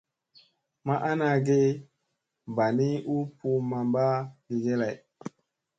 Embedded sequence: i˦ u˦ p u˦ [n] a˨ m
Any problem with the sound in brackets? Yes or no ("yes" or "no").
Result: yes